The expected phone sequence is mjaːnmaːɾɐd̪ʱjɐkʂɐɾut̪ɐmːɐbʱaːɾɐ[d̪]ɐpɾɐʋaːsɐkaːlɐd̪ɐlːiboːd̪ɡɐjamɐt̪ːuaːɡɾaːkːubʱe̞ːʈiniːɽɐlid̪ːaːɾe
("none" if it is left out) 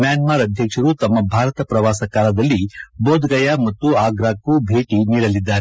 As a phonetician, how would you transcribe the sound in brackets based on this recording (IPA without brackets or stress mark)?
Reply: t̪